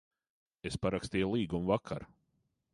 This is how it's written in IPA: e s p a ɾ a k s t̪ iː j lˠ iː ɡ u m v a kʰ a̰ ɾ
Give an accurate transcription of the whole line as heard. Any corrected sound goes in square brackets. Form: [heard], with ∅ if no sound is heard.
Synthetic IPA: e s p a ɾ a k s t̪ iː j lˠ iː ɡ u m v a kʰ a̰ ɾ